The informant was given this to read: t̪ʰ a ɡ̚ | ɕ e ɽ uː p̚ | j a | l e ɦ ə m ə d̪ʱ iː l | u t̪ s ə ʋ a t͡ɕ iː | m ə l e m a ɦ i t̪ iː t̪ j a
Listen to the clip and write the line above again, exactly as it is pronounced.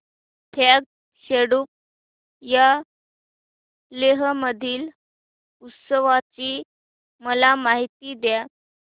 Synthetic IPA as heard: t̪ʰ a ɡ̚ | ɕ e ɽ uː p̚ | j a | l e ɦ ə m ə d̪ʱ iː l | u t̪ s ə ʋ a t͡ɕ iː | m ə l a m a ɦ i t̪ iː d̪ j a